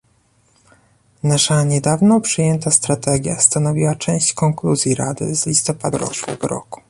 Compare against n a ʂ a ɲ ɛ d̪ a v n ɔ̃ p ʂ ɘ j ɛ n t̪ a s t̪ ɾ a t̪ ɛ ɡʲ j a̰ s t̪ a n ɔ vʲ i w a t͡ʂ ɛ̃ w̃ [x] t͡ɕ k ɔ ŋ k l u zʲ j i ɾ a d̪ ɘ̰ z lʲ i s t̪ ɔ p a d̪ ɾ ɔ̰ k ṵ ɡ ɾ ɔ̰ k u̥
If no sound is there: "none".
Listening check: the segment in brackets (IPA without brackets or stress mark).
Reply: ɕ